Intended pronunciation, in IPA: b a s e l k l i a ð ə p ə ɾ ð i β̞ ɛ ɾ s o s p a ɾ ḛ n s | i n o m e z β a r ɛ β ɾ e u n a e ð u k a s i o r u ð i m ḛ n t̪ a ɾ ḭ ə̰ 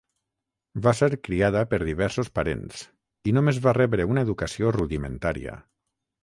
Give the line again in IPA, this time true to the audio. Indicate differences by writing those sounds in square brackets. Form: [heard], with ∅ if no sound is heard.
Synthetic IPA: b a s e [ɾ] k [ɾ] i a ð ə p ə ɾ ð i β̞ ɛ ɾ s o s p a ɾ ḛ n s | i n o m e z β a r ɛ β ɾ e u n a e ð u k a s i o r u ð i m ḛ n t̪ a ɾ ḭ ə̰